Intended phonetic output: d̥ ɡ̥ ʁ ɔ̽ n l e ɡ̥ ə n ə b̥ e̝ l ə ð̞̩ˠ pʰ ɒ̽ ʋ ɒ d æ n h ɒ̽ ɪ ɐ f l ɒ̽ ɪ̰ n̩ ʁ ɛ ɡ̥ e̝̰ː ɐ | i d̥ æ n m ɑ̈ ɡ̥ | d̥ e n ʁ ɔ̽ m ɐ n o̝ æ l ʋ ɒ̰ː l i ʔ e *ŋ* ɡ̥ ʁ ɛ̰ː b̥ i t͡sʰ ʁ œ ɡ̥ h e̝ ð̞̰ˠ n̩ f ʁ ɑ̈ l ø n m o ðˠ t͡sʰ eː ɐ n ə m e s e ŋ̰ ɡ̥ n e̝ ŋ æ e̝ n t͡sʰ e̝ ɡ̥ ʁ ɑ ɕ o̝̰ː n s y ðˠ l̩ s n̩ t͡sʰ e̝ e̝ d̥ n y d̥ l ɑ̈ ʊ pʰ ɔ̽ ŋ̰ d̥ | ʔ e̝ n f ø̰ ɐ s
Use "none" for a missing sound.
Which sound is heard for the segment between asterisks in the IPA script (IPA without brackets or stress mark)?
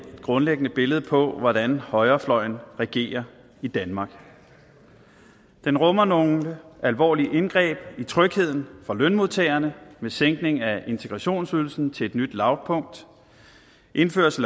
n